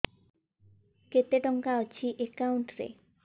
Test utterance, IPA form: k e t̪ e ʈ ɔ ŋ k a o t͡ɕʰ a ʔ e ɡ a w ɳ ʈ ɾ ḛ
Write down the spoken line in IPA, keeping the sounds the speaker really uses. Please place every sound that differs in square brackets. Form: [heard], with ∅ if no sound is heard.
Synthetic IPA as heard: k e t̪ e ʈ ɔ ŋ k a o t͡ɕʰ [i] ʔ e [k] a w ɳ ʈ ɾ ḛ